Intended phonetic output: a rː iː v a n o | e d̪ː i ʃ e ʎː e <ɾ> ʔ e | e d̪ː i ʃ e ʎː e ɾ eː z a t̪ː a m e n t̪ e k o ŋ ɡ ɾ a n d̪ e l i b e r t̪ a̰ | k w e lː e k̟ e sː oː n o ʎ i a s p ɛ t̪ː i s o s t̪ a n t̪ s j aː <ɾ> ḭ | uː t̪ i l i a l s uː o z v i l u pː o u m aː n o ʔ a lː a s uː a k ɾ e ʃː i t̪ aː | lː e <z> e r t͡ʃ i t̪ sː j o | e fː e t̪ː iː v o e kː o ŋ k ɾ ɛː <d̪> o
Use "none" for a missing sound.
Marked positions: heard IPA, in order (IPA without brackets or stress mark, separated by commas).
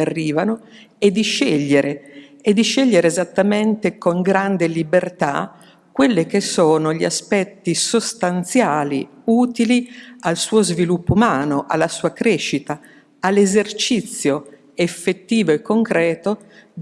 ɾ, l, z, t̪